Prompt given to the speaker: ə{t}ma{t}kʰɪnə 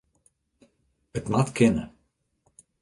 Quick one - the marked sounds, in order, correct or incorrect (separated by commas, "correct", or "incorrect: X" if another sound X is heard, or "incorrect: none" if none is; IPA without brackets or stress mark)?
correct, correct